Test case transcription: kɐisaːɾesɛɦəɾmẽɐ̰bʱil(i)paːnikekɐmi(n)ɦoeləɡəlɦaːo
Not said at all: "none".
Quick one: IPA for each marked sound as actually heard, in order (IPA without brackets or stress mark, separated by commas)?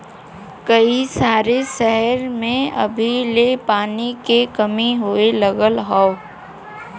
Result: e, none